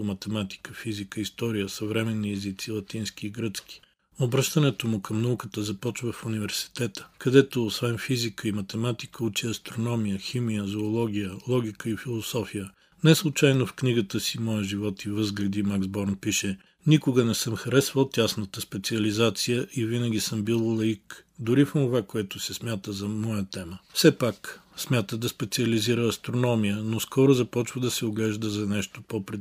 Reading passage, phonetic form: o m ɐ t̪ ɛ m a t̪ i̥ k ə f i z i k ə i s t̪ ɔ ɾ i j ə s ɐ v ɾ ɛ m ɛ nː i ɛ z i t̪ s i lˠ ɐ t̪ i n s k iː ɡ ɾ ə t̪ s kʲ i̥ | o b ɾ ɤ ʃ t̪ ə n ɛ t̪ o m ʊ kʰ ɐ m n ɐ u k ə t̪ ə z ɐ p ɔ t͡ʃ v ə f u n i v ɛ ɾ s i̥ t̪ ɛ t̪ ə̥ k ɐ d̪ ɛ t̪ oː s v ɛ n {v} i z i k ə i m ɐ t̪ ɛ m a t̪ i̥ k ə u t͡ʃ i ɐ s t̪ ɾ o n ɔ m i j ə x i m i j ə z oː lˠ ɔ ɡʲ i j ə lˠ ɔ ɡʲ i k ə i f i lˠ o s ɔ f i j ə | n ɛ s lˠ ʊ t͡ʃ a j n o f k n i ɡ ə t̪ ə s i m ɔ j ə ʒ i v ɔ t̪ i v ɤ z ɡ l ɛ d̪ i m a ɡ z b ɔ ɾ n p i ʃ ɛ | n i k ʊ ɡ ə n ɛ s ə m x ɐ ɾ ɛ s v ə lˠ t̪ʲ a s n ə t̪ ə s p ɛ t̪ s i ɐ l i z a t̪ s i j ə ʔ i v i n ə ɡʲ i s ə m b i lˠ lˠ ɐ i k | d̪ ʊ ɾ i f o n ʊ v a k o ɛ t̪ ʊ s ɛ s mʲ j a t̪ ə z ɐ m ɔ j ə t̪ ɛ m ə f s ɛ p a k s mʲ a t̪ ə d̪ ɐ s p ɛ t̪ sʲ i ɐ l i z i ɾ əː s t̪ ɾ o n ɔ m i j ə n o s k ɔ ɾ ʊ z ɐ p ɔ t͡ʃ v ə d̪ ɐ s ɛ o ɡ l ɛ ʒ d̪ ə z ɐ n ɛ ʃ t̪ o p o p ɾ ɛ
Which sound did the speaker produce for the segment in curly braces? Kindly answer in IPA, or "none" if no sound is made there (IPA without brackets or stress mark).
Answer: f